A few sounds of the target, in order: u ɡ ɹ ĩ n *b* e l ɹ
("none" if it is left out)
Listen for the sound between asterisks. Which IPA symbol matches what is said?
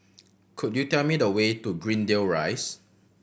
d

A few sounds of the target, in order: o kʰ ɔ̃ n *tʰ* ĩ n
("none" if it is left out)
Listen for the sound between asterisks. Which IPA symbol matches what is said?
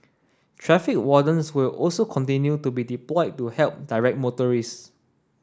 t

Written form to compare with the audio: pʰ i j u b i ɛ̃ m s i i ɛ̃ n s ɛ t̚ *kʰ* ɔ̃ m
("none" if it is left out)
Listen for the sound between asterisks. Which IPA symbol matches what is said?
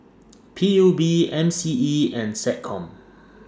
kʰ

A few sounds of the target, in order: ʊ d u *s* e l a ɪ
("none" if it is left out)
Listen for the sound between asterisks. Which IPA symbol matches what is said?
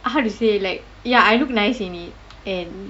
s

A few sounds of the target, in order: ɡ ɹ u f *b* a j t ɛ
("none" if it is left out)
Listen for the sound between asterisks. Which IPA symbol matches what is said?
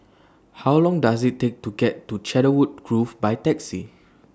b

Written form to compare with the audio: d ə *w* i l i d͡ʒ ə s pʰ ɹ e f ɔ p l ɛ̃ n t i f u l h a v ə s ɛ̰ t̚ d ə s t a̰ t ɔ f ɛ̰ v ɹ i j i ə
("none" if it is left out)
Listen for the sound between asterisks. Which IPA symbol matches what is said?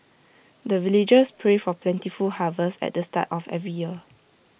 v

